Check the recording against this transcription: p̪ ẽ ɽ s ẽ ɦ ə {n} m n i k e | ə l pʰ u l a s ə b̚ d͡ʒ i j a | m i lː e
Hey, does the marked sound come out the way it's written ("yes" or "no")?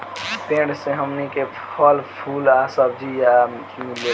no